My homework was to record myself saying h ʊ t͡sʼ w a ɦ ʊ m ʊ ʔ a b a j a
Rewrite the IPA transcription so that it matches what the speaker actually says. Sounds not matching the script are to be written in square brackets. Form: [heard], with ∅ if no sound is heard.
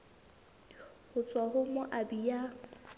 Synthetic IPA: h ʊ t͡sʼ w a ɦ ʊ m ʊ ʔ a b [i] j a